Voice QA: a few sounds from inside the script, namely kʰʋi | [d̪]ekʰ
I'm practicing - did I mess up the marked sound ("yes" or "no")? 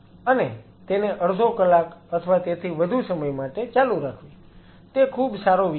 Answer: yes